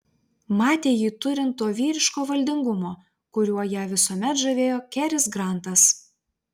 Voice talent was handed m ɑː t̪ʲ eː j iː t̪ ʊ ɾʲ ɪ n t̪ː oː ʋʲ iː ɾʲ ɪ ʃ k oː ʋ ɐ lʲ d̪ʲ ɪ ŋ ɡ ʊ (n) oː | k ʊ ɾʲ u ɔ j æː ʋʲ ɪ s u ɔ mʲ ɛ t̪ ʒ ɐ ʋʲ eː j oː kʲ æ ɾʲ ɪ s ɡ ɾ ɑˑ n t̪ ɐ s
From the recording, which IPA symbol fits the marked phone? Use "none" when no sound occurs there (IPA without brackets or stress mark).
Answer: m